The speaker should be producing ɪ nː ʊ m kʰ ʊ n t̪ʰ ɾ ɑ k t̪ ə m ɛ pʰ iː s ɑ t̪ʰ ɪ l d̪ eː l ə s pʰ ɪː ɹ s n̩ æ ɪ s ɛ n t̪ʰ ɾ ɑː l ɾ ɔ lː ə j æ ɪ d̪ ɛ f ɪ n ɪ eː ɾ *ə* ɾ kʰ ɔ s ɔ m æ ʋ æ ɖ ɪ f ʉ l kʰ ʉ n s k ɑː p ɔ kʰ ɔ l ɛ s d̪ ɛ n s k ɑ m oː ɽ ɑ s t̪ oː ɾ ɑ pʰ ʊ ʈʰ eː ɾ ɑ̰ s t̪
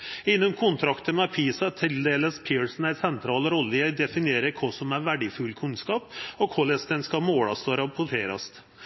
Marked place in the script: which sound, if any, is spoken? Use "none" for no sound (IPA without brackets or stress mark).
ə